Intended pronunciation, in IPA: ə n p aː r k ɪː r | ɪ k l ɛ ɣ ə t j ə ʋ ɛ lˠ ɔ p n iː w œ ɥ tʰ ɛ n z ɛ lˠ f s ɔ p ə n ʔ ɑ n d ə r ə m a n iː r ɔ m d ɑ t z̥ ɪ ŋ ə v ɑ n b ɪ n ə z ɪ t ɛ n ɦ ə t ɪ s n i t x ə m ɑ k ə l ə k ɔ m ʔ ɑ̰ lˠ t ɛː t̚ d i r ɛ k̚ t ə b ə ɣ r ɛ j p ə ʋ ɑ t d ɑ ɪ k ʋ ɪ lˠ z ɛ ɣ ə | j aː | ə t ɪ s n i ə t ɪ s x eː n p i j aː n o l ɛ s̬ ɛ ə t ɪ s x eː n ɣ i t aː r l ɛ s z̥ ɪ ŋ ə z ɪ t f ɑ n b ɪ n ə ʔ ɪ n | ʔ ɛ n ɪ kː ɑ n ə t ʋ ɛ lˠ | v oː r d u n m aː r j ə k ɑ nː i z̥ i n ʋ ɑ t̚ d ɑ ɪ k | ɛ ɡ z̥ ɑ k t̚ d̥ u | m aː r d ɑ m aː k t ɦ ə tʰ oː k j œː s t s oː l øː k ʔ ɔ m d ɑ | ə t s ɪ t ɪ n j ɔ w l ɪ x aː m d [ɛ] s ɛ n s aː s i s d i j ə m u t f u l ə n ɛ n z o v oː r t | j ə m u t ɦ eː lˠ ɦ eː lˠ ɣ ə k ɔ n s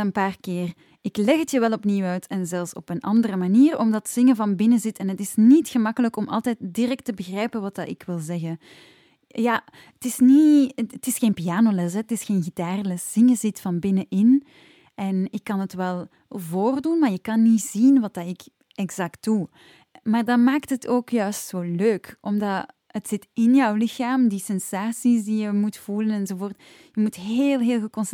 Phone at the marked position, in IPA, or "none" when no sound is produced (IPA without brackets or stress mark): i